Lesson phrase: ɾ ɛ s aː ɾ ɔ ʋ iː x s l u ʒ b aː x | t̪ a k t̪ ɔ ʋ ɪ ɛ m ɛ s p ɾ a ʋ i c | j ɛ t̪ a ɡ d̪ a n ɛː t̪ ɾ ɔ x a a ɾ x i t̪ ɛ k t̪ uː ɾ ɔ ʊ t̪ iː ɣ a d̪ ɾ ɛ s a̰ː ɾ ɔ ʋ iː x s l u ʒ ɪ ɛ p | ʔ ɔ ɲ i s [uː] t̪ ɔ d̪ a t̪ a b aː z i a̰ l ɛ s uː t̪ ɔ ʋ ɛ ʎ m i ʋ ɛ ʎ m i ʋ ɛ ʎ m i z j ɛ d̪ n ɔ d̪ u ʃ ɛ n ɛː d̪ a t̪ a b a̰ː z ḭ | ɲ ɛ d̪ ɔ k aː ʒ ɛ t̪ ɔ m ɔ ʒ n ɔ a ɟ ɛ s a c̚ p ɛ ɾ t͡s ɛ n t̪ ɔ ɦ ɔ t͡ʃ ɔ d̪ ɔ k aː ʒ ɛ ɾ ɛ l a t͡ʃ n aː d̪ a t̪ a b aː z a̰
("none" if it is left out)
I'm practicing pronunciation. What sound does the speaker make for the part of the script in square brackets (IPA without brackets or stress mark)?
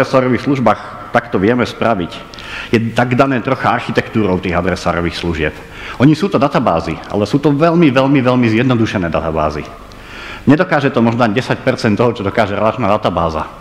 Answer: uː